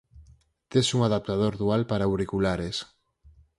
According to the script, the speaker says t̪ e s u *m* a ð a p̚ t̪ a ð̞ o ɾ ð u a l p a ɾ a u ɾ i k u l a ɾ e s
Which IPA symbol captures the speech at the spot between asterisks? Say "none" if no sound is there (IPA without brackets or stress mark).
ŋ